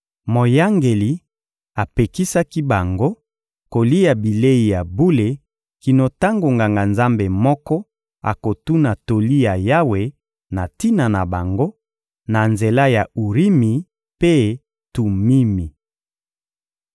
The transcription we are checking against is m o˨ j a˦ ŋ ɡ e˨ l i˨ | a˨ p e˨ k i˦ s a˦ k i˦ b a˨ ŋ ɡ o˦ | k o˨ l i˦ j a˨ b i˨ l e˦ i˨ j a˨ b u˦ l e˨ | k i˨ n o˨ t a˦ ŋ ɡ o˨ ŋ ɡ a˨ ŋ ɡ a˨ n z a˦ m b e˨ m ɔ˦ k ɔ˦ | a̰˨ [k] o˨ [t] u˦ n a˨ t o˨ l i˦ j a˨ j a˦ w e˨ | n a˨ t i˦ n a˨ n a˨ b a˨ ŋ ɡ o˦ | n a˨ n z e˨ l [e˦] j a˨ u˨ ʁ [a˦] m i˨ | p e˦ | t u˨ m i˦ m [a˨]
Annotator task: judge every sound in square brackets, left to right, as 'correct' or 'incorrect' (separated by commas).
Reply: correct, correct, incorrect, incorrect, incorrect